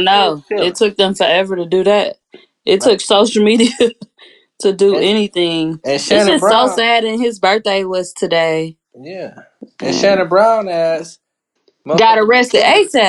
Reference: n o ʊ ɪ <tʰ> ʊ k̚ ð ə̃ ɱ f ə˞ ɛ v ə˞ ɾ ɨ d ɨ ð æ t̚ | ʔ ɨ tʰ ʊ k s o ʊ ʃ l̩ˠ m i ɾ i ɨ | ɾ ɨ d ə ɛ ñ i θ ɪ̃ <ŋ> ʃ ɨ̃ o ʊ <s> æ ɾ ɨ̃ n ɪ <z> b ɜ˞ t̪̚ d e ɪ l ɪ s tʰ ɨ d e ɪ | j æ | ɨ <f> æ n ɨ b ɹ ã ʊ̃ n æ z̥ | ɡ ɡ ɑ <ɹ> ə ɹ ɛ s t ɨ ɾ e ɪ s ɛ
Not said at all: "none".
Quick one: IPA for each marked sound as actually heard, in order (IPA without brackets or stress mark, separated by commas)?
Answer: tʰ, ŋ, s, z, ʃ, ɾ